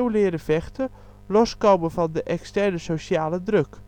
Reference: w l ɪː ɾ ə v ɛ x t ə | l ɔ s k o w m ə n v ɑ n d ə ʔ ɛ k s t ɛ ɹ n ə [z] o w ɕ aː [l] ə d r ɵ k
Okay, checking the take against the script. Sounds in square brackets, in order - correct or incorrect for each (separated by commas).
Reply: incorrect, correct